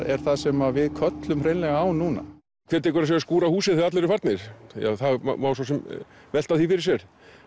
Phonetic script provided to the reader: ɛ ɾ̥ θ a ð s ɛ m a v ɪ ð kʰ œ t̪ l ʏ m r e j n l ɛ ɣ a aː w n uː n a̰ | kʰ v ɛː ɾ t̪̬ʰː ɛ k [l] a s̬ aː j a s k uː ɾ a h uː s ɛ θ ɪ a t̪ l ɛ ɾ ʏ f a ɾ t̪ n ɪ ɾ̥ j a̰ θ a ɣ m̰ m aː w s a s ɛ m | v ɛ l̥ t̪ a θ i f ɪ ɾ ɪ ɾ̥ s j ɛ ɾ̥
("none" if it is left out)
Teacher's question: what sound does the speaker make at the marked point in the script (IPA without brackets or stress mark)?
ɾ